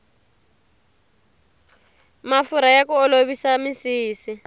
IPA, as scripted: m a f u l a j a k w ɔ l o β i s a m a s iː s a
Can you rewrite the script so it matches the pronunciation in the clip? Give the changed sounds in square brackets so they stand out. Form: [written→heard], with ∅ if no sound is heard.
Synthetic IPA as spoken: m a f u [l→ɾ] a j a k [w→u] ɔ l o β i s a m [a→i] s iː s [a→i]